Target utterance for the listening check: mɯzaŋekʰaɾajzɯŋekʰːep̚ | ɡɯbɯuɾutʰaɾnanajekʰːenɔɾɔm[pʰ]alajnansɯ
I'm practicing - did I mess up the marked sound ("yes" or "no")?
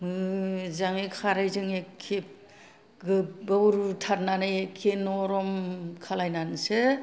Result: yes